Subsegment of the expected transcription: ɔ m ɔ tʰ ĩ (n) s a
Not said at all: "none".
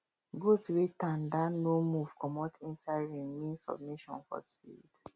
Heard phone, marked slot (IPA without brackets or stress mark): n